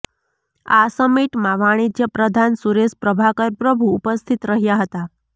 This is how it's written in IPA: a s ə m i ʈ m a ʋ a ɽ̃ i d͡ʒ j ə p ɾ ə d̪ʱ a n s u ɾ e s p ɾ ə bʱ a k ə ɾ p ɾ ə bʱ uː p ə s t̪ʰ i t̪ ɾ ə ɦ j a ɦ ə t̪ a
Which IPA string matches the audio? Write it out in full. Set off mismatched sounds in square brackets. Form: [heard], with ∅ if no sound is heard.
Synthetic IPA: a s ə m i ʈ m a ʋ a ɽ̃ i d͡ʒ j ə p ɾ ə d̪ʱ a n s u ɾ e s p ɾ ə bʱ a k ə ɾ p ɾ ə bʱ uː p ə s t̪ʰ i t̪ ɾ ə ɦ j a ɦ ə t̪ a